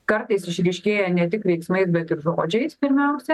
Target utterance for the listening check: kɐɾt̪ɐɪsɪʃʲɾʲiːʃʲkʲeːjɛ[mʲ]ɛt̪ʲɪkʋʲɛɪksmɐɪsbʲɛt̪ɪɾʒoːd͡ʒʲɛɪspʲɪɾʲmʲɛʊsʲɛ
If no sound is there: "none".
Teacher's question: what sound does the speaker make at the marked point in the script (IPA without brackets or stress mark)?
nʲ